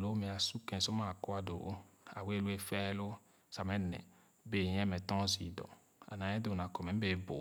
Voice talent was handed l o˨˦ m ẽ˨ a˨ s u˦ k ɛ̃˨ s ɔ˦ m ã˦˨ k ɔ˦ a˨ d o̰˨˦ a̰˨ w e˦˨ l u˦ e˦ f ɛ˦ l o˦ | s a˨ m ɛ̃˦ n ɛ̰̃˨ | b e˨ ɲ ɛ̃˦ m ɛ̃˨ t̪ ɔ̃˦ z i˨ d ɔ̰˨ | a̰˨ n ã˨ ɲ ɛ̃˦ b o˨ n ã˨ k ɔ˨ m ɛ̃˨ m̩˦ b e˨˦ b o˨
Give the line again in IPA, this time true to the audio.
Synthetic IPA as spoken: l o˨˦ m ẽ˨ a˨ s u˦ k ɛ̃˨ s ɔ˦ m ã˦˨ k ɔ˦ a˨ d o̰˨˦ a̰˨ w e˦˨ l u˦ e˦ f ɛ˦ l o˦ | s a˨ m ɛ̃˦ n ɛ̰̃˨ | b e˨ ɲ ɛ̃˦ m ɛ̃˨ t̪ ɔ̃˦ z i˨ d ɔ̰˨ | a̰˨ n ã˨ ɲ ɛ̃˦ d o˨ n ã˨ k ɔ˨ m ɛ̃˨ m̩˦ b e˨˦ b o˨